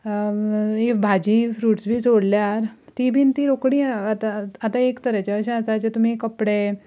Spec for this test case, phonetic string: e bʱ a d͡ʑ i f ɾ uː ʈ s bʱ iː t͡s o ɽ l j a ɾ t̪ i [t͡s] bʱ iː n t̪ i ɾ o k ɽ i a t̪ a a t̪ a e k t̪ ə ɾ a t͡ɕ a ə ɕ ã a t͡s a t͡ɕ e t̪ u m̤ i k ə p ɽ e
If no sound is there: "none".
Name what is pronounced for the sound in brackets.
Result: none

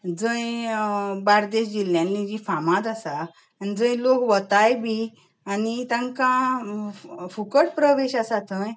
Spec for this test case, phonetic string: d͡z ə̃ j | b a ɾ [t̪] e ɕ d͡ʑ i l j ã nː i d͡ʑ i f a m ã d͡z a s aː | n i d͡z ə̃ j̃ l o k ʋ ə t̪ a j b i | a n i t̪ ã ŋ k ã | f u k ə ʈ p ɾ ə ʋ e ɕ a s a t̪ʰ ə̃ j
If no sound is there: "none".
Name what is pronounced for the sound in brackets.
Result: d̪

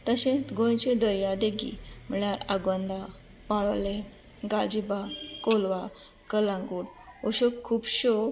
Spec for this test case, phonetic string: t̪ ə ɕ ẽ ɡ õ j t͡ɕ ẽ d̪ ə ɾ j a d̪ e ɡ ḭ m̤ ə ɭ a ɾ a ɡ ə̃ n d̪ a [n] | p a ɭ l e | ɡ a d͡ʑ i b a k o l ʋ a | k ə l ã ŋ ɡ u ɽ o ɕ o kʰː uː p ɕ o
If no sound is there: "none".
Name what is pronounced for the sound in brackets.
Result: none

